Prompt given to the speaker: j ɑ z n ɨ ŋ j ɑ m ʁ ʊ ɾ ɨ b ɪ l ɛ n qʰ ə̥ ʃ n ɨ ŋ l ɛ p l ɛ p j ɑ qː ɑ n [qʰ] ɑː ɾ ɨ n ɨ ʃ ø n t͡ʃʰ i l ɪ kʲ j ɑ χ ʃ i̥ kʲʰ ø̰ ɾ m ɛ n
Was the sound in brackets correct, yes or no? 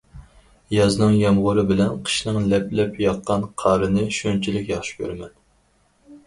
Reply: yes